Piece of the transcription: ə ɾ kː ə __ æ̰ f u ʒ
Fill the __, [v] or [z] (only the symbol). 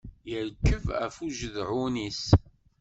v